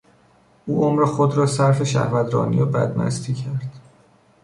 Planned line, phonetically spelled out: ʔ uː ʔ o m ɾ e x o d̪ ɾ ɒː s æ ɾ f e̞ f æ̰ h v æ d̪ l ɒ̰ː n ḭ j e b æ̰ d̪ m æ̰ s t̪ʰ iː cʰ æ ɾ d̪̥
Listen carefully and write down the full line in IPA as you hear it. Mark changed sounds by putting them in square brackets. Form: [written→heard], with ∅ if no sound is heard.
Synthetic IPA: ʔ uː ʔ o m ɾ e x o d̪ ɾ ɒː s æ ɾ f e̞ [f→ʃ] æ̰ h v æ d̪ [l→ɾ] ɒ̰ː n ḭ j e b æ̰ d̪ m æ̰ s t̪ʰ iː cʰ æ ɾ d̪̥